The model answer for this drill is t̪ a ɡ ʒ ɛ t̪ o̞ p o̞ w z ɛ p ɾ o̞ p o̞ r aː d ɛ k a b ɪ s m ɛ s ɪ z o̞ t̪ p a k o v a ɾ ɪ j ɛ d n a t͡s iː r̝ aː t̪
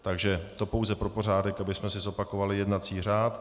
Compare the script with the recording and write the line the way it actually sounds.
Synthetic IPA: t̪ a ɡ ʒ ɛ t̪ o̞ p o̞ w z ɛ p ɾ o̞ p o̞ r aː d ɛ k a b ɪ s m ɛ s ɪ z o̞ p a k o v a l ɪ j ɛ d n a t͡s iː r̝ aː t̪